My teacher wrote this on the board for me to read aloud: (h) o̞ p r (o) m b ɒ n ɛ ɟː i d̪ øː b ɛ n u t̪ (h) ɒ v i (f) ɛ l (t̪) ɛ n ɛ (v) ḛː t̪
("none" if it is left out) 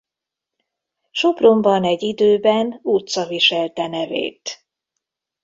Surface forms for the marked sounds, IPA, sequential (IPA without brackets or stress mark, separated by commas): ʃ, o, s, ʃ, t̪, v